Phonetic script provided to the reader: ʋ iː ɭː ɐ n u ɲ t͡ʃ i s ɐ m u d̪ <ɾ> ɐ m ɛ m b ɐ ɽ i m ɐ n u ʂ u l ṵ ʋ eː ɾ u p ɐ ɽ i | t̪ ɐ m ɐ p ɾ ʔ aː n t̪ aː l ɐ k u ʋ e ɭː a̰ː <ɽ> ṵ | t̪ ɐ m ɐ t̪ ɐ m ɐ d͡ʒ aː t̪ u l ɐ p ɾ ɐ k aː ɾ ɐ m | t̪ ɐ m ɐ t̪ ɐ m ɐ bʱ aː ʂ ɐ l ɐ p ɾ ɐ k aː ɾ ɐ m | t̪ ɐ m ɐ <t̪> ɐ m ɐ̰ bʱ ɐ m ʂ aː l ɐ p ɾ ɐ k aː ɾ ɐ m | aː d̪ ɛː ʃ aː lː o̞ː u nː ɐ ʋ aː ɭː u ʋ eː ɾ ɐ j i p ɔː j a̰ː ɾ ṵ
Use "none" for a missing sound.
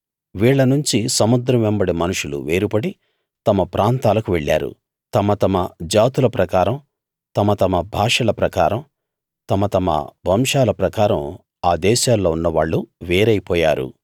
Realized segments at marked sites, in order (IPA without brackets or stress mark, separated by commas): ɾ, ɾ, t̪